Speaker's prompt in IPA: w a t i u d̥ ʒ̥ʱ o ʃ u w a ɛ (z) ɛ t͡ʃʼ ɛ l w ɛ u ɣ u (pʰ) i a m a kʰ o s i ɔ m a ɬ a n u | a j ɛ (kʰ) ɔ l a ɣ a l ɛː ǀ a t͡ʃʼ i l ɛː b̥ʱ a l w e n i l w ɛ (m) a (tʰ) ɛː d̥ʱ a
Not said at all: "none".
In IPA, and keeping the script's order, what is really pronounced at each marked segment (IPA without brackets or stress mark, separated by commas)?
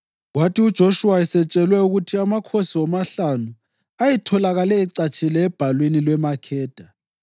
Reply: s, tʰ, tʰ, m, kʰ